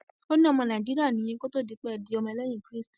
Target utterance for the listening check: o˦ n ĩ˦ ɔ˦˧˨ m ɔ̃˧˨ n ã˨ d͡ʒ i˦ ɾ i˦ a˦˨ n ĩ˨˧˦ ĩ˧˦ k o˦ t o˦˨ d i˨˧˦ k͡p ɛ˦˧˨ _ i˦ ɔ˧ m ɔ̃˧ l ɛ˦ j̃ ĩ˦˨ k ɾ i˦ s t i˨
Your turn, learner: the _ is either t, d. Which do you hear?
d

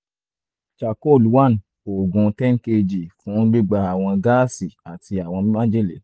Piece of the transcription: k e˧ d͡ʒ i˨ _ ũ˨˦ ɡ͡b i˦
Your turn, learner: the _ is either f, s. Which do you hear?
f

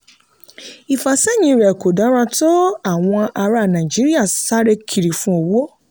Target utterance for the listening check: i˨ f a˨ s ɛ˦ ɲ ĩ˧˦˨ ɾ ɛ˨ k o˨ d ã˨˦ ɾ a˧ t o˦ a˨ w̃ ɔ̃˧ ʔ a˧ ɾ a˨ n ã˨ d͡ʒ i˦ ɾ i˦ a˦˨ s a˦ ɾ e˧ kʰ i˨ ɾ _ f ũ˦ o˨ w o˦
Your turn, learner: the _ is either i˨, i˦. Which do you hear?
i˨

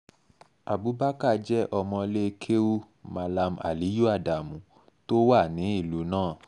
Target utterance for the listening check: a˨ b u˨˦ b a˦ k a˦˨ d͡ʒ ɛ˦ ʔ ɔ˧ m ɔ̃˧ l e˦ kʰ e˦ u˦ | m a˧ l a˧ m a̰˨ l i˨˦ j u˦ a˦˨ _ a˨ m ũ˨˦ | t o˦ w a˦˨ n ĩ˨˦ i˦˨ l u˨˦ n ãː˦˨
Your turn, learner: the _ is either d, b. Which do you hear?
d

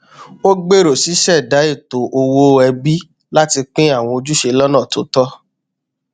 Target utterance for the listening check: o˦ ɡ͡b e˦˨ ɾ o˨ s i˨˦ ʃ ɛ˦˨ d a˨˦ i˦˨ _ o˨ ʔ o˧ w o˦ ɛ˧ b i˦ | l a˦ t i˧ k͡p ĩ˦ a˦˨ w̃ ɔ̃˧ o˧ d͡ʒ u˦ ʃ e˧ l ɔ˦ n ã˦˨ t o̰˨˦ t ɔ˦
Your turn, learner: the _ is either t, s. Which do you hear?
t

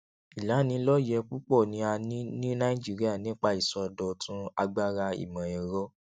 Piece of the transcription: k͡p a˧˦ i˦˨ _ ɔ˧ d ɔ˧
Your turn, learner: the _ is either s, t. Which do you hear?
s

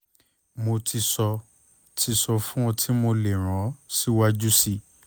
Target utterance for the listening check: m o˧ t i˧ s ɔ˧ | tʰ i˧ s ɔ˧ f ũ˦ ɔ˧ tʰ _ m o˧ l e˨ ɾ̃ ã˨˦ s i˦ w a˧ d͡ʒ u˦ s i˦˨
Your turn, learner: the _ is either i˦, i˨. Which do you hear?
i˦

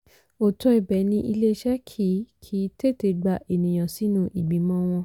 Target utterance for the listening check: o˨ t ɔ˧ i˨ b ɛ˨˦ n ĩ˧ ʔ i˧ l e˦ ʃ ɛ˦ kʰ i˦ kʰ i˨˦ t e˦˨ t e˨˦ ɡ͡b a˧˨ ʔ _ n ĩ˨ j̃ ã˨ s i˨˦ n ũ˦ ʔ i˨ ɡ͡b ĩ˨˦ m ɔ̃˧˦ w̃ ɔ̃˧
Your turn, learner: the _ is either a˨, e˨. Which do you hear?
e˨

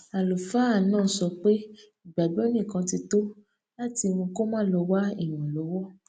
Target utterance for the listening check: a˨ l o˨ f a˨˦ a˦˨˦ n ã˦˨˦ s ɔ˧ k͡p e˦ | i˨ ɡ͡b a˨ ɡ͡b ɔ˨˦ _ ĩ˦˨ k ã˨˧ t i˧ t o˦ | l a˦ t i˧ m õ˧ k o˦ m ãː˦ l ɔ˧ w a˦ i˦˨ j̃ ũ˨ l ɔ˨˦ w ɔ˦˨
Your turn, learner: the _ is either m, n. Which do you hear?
n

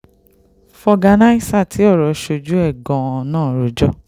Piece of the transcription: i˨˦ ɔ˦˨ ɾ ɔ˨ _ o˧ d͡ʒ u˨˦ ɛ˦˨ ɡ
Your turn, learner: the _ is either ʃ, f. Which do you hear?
ʃ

